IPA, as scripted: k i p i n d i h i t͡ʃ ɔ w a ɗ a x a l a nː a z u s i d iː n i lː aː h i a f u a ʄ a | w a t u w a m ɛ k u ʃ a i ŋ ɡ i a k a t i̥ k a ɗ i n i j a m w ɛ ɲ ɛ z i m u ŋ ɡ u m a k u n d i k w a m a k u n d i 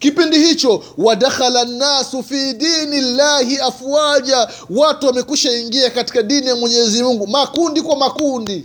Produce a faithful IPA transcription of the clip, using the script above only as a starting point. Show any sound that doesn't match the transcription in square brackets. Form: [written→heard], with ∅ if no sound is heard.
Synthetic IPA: k i p i n d i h i t͡ʃ ɔ w a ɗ a x a l a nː a [z→s] u [s→f] i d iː n i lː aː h i a f u a ʄ a | w a t u w a m ɛ k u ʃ a i ŋ ɡ i a k a t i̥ k a ɗ i n i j a m w ɛ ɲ ɛ z i m u ŋ ɡ u m a k u n d i k w a m a k u n d i